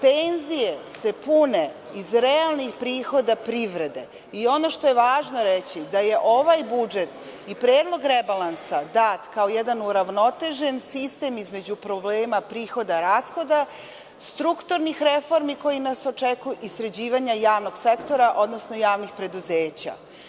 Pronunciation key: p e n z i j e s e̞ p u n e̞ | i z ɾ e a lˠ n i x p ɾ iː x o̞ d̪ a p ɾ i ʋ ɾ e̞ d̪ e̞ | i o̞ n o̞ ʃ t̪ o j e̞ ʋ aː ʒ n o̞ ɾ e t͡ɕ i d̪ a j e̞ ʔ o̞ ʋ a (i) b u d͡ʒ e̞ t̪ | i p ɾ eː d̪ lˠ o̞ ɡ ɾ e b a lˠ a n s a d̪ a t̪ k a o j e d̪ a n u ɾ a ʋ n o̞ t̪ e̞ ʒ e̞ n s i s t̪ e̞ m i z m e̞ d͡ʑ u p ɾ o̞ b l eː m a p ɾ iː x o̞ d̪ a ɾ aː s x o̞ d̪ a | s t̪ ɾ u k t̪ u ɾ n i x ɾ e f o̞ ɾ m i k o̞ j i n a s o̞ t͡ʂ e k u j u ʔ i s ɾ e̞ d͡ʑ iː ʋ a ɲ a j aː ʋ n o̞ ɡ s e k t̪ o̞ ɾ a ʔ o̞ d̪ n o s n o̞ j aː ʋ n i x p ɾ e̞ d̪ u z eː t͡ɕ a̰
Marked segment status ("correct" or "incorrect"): incorrect